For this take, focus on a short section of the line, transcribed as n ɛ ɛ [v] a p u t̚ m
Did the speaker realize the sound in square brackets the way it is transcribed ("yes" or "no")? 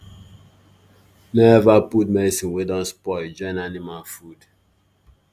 yes